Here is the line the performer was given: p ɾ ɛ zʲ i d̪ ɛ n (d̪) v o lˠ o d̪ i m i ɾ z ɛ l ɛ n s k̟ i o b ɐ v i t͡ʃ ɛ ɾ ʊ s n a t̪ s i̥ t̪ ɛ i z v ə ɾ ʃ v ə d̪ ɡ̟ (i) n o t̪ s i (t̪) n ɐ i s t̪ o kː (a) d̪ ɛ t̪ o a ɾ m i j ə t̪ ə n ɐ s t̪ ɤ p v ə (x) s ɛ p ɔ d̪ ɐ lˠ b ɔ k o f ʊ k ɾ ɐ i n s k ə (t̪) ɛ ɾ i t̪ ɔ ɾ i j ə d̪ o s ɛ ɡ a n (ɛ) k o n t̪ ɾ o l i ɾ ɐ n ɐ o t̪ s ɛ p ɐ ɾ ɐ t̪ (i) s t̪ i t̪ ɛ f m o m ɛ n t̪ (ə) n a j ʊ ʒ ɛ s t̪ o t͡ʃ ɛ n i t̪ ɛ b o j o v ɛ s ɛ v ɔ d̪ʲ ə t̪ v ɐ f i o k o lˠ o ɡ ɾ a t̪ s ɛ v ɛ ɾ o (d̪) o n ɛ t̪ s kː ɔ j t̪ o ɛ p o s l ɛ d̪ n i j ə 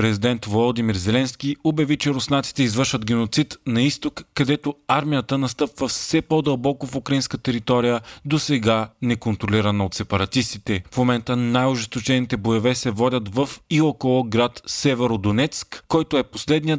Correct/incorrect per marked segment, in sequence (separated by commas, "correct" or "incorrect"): incorrect, incorrect, correct, incorrect, incorrect, correct, correct, correct, correct, correct